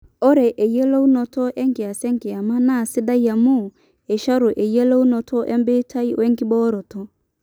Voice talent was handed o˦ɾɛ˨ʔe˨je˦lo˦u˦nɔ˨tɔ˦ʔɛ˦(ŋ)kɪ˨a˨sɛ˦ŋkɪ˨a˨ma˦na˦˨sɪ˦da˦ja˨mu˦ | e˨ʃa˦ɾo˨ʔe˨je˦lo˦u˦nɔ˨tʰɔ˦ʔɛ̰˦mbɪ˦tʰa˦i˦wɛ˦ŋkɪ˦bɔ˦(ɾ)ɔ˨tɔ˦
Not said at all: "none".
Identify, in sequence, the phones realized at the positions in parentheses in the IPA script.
ŋ, ɾ

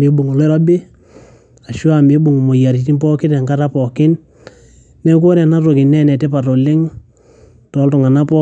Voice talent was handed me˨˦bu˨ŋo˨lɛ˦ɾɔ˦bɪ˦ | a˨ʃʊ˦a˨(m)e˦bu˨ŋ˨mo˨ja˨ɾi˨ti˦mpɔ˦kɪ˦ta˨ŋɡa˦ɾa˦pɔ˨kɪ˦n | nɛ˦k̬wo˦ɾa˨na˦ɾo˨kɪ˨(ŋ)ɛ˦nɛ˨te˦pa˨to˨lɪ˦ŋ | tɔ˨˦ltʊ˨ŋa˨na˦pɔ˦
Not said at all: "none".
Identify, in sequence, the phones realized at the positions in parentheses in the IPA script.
m, n

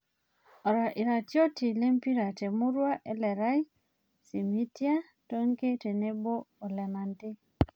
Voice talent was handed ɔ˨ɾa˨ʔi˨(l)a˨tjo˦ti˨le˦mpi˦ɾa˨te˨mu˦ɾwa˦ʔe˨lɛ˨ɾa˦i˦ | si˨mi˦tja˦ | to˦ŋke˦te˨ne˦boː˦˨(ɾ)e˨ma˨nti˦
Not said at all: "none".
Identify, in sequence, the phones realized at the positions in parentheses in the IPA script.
ɾ, l

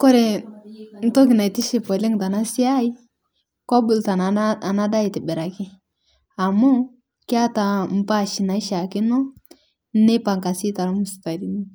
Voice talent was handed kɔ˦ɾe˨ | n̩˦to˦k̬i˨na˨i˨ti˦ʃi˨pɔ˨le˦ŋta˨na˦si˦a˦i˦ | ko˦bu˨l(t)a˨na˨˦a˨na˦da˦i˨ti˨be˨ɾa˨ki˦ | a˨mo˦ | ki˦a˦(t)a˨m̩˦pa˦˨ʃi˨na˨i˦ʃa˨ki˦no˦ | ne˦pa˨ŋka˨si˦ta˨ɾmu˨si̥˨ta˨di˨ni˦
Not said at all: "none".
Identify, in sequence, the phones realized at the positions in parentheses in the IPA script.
t, t

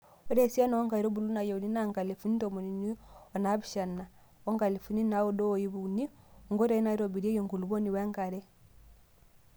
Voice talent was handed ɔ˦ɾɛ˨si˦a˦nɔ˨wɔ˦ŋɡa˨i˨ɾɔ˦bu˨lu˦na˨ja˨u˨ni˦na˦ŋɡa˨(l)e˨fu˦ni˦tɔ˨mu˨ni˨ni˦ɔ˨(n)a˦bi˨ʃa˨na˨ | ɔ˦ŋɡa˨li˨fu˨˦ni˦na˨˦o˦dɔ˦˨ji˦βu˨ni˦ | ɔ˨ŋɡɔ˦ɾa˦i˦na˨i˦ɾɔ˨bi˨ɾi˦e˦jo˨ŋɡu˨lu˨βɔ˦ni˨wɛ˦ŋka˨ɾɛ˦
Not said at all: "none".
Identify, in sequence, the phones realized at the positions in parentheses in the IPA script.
l, n

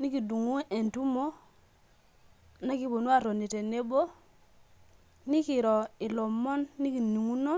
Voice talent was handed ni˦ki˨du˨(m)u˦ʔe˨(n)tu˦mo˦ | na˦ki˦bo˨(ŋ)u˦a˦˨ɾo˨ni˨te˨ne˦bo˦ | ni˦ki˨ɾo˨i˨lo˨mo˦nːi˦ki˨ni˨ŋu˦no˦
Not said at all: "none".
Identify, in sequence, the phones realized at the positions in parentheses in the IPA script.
ŋ, n, n

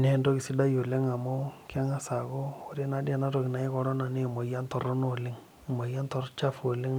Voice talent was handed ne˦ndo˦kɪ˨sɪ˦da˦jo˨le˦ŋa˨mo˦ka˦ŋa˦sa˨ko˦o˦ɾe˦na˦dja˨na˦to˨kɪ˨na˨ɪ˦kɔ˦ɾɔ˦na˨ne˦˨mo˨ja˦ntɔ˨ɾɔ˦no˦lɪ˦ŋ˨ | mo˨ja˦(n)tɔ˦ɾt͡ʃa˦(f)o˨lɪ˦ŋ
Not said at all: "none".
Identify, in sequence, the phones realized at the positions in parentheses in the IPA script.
n, f

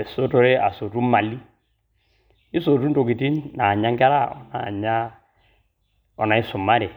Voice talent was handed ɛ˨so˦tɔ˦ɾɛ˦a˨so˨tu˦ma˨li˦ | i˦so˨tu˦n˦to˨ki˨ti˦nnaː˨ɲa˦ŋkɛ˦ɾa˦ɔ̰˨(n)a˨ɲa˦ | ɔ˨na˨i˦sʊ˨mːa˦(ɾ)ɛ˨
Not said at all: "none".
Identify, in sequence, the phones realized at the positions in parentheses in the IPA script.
n, ɾ

